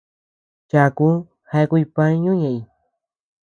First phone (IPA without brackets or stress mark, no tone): t͡ʃ